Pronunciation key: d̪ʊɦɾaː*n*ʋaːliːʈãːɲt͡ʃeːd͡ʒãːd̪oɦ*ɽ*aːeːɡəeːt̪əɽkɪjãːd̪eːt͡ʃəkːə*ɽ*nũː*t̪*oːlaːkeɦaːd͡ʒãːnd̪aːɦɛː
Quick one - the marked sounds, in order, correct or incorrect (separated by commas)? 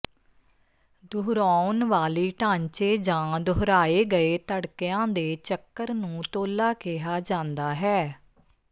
correct, incorrect, incorrect, correct